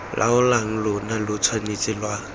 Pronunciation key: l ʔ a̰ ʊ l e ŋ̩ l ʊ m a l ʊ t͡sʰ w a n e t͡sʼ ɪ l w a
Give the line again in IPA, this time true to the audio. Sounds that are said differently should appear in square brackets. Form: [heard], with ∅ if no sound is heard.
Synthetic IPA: l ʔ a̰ ʊ l [a] ŋ̩ l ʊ [n] a l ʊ t͡sʰ w a n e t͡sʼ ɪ l w a